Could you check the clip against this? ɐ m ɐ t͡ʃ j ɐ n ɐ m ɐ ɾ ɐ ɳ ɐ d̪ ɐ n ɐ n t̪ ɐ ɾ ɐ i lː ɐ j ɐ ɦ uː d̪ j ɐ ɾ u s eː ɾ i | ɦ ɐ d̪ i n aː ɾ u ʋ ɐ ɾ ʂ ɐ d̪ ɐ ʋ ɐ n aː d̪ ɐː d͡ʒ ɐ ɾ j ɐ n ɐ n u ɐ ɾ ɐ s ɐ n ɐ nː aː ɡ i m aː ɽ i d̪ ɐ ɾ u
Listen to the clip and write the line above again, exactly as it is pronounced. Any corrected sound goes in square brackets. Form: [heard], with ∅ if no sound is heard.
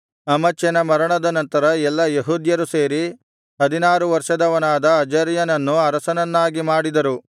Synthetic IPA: ɐ m ɐ t͡ʃ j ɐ n ɐ m ɐ ɾ ɐ ɳ ɐ d̪ ɐ n ɐ n t̪ ɐ ɾ ɐ [ɛ] lː ɐ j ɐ ɦ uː d̪ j ɐ ɾ u s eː ɾ i | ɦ ɐ d̪ i n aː ɾ u ʋ ɐ ɾ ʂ ɐ d̪ ɐ ʋ ɐ n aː d̪ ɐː d͡ʒ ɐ ɾ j ɐ n ɐ [nː] u ɐ ɾ ɐ s ɐ n ɐ nː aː ɡ i m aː ɽ i d̪ ɐ ɾ u